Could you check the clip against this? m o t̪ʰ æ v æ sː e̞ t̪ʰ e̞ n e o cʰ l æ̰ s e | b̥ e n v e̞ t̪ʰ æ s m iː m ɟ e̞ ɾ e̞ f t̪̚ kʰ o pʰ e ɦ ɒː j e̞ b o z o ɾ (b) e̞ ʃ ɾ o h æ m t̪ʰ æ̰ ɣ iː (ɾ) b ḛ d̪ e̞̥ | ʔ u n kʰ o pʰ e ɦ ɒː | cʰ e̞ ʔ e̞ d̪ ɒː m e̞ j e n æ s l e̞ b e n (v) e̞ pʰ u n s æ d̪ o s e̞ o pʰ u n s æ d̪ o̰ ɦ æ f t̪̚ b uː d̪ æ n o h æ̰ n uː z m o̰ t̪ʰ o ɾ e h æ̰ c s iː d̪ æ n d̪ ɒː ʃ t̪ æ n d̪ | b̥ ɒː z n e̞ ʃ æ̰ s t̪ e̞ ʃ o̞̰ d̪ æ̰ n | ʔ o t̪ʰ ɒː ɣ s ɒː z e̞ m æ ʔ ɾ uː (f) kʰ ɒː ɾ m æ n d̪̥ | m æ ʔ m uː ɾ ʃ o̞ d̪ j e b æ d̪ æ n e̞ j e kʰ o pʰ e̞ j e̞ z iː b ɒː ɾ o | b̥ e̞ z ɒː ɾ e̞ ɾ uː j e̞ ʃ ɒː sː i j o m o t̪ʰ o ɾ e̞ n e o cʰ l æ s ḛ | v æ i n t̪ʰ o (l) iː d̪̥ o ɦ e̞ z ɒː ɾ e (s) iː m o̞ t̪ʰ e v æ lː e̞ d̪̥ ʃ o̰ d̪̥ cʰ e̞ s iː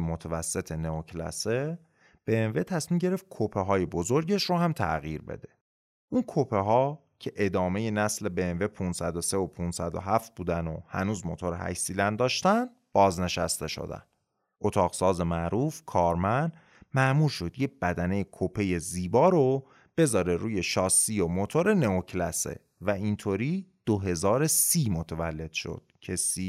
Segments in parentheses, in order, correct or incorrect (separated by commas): incorrect, correct, correct, correct, incorrect, correct